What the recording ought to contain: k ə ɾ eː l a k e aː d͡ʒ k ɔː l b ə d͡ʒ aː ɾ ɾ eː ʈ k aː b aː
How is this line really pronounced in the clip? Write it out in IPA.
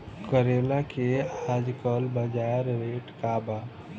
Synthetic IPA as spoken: k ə ɾ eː l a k e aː d͡ʒ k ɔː l b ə d͡ʒ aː ɾ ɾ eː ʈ k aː b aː